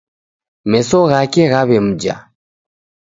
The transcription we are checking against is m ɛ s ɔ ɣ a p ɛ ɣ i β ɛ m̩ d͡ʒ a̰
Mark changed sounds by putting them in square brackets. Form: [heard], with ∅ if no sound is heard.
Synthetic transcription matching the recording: m ɛ s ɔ ɣ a [k] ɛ ɣ [a] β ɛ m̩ d͡ʒ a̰